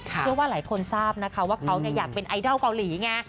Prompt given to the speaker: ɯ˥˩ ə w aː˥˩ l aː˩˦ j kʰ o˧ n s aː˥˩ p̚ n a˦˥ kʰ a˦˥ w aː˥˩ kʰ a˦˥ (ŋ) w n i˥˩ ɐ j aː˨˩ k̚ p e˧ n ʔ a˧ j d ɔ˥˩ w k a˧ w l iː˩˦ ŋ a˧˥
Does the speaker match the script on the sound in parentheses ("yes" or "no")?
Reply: no